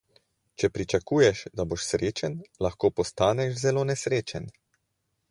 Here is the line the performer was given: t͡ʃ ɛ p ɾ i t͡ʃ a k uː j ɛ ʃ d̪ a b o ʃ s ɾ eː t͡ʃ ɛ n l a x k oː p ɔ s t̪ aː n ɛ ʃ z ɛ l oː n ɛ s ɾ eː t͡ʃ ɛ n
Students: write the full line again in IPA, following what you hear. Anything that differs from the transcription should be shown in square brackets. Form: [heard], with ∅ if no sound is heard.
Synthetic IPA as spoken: t͡ʃ ɛ p ɾ i t͡ʃ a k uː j ɛ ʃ d̪ a b o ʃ s ɾ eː t͡ʃ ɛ n l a x k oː p ɔ s t̪ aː n ɛ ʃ z ɛ l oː n ɛ s ɾ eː t͡ʃ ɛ n